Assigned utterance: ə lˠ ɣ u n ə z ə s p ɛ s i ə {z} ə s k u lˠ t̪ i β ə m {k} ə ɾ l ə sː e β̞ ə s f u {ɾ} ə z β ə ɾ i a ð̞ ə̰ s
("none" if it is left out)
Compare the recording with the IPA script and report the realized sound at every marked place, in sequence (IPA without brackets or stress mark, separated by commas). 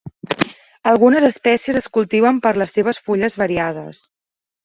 z, p, ʎ